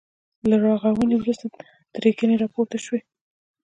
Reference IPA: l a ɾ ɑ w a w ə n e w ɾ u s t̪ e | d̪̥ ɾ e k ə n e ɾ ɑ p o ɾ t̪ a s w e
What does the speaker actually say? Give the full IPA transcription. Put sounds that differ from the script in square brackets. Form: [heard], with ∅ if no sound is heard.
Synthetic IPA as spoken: l a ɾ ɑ [ɣ] a w ə n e w ɾ u s t̪ [a] | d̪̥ ɾ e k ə n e ɾ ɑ p o ɾ t̪ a [ʃ] w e